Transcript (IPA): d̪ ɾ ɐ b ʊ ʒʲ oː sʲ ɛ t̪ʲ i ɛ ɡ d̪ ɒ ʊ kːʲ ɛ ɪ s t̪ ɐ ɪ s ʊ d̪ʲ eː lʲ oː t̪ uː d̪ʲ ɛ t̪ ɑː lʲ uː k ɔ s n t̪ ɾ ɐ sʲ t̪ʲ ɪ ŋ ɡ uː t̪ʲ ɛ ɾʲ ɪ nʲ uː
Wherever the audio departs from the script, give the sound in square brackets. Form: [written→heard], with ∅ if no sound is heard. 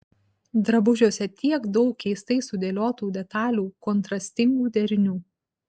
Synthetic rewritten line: d̪ ɾ ɐ b ʊ ʒʲ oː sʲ ɛ t̪ʲ i ɛ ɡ d̪ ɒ ʊ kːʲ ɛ ɪ s t̪ ɐ ɪ s ʊ d̪ʲ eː lʲ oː t̪ uː d̪ʲ ɛ t̪ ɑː lʲ uː k ɔ [s→∅] n t̪ ɾ ɐ sʲ t̪ʲ ɪ ŋ ɡ uː [t̪ʲ→d̪ʲ] ɛ ɾʲ ɪ nʲ uː